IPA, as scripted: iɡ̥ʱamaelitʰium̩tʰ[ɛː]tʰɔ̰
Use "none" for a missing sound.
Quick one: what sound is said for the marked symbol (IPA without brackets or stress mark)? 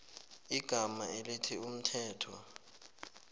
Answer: ɛː